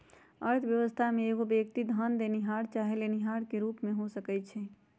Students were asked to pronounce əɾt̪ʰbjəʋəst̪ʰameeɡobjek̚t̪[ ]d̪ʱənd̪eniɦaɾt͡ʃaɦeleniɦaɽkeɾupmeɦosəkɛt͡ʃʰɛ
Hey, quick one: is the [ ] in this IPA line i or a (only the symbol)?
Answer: i